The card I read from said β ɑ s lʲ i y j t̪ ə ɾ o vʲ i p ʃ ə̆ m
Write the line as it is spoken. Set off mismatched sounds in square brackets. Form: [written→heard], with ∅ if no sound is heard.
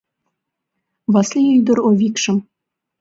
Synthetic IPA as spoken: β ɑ s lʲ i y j [t̪→d̪] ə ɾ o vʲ i [p→k] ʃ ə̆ m